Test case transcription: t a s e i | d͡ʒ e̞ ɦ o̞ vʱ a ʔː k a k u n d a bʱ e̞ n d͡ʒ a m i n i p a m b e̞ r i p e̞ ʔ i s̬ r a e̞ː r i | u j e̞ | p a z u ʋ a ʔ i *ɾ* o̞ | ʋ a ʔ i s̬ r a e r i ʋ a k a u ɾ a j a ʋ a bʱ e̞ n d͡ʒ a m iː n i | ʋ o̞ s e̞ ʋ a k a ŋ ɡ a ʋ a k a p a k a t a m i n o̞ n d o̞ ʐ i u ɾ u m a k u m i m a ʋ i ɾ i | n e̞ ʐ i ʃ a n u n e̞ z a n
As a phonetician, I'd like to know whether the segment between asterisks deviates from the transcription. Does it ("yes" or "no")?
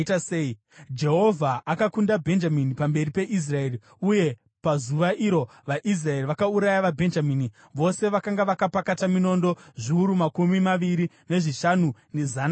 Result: no